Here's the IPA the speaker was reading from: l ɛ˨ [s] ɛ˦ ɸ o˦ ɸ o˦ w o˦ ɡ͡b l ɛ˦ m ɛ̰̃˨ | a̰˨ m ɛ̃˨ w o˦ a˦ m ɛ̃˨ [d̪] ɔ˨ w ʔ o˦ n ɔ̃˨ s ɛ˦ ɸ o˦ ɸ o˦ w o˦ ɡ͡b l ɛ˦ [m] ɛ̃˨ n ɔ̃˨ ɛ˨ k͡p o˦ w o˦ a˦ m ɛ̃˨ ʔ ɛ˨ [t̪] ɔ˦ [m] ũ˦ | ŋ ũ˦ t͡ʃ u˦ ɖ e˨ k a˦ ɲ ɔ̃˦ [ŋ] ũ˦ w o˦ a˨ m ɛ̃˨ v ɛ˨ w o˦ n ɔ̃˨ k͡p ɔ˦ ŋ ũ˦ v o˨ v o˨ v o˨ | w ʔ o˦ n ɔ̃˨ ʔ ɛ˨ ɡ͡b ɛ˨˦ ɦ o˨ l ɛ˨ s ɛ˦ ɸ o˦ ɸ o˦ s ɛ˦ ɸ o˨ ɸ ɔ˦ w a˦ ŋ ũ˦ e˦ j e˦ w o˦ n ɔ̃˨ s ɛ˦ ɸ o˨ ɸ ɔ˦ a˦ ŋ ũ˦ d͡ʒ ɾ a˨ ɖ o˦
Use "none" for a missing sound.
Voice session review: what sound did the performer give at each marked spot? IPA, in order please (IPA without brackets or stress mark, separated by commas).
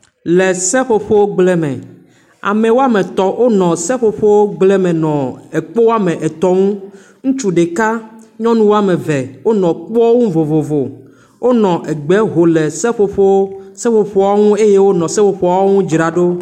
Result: s, t̪, m, t̪, ŋ, n